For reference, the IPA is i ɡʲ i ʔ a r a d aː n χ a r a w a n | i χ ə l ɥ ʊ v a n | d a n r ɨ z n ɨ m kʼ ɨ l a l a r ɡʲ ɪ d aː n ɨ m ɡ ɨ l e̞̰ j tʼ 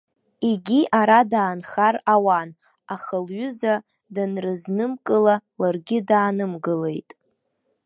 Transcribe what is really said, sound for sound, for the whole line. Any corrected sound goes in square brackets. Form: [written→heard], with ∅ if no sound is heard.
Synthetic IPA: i ɡʲ i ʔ a [r→ɾ] a d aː n χ a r a w a n | [i→a] χ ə l ɥ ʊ [v→z] a [n→∅] | d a n r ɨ z n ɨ m kʼ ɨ l a l a r ɡʲ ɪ d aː n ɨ m ɡ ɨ l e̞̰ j tʼ